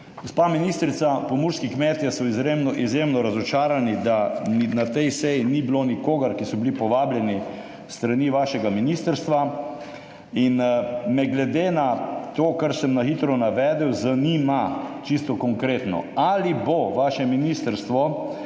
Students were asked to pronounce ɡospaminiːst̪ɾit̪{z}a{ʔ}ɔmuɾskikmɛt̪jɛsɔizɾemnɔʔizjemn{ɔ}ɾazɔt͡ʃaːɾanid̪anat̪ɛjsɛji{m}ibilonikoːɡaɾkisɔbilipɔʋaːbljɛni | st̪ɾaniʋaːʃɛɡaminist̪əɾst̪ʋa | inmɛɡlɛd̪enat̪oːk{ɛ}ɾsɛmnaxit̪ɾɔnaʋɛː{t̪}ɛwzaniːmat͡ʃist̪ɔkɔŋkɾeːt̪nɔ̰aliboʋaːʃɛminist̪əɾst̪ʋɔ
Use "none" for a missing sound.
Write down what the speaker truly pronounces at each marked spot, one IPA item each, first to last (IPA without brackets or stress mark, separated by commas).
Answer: s, p, ɔ, n, a, d̪